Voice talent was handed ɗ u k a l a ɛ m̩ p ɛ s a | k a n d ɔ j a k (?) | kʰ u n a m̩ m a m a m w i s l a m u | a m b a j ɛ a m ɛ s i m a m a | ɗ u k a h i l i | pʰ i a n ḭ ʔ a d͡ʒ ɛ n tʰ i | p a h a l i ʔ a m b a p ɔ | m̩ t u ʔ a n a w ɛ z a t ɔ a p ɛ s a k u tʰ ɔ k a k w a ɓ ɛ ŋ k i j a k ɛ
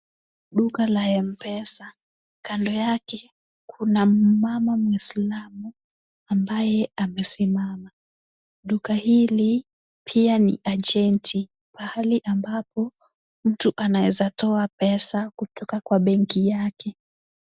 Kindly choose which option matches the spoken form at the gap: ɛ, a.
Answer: ɛ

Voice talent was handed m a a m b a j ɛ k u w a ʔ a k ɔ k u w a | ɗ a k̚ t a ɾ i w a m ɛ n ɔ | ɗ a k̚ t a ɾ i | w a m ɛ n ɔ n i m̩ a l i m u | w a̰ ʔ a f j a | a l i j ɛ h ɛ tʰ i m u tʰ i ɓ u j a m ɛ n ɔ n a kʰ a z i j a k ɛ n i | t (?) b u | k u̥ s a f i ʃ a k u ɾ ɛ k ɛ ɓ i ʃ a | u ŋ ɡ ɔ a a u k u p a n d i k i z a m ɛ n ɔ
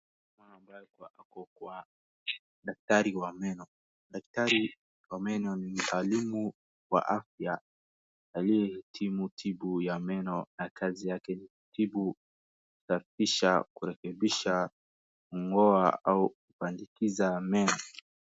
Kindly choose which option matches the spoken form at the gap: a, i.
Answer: i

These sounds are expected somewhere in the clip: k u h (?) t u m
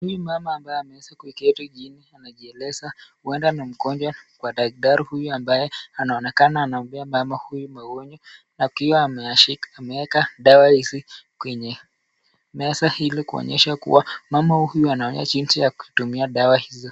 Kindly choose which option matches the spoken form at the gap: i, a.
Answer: i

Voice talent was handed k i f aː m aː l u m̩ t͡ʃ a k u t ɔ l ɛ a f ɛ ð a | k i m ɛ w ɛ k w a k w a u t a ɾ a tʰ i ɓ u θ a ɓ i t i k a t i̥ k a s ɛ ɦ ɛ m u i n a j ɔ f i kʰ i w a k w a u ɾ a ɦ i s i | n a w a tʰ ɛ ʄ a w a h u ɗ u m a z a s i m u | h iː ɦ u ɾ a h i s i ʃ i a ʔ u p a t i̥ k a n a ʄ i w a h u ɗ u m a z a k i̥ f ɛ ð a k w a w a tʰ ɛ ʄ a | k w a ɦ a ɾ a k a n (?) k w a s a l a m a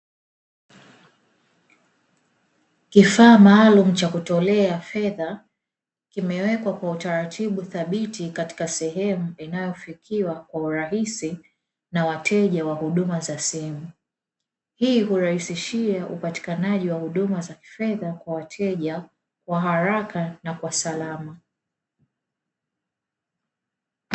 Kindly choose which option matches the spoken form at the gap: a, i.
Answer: a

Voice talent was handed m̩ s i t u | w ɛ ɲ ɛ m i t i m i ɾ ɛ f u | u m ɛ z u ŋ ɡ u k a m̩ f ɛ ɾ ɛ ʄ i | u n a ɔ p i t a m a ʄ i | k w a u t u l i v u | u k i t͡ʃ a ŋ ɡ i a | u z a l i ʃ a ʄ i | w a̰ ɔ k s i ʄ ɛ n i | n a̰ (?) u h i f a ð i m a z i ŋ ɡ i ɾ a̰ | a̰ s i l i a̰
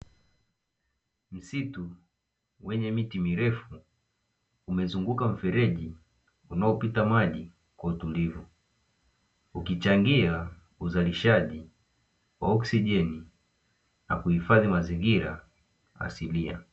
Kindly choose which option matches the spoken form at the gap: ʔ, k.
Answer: k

